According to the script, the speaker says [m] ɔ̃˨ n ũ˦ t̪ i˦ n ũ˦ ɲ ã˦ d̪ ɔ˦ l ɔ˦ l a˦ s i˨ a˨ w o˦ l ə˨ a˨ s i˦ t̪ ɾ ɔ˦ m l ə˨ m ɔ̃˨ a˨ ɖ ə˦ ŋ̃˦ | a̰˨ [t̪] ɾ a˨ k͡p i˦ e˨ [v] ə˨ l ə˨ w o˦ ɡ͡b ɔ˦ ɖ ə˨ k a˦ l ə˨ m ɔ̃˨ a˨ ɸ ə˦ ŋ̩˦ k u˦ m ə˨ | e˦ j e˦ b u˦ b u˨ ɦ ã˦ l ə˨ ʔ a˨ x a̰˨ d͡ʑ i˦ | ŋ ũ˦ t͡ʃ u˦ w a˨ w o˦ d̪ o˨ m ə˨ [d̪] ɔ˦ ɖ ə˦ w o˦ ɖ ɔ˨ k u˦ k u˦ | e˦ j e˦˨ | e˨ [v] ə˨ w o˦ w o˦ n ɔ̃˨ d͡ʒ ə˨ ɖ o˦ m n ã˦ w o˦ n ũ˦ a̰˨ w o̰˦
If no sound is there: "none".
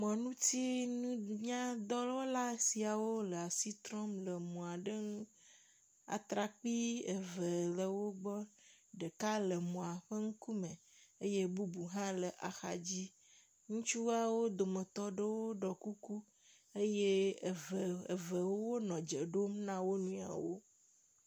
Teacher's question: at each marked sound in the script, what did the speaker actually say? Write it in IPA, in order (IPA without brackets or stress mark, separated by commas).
m, t̪, v, t̪, v